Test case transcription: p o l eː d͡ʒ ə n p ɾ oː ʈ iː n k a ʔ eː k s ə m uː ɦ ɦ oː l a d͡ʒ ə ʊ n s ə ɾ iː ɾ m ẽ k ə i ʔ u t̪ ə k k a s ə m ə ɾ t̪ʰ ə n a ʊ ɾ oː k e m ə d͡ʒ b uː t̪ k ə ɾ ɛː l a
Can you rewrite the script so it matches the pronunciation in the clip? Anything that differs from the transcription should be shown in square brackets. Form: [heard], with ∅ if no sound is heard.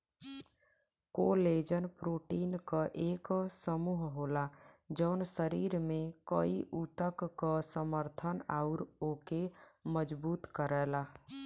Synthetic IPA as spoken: [k] o l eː d͡ʒ ə n p ɾ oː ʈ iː n k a ʔ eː k s ə m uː ɦ ɦ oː l a d͡ʒ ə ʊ n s ə ɾ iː ɾ m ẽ k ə i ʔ u t̪ ə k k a s ə m ə ɾ t̪ʰ ə n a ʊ ɾ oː k e m ə d͡ʒ b uː t̪ k ə ɾ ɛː l a